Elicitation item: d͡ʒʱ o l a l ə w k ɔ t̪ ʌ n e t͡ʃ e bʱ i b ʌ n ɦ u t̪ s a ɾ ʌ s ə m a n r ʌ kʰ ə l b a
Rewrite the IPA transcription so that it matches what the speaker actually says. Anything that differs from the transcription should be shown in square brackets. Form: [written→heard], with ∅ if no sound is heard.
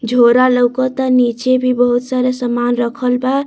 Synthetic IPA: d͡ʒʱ o [l→ɾ] a l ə w k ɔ t̪ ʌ n [e→i] t͡ʃ e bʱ i b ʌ [n→∅] ɦ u t̪ s a ɾ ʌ s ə m a n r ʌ kʰ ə l b a